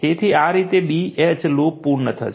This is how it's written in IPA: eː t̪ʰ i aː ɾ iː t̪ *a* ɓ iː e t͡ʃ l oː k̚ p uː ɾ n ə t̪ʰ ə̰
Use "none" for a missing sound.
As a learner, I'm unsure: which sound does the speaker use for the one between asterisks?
e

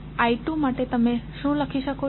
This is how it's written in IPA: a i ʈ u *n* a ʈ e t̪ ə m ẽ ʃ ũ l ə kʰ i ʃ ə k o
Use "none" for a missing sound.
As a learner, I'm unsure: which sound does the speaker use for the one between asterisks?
m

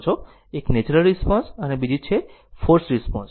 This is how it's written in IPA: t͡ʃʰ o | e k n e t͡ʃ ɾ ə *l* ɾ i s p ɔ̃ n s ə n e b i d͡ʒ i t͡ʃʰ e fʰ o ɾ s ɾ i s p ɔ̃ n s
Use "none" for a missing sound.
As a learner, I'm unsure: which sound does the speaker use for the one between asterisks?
l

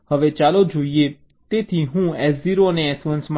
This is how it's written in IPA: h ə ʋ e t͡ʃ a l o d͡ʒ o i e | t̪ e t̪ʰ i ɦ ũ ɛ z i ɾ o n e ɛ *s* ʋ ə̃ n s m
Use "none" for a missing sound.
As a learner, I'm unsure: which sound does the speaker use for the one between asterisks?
s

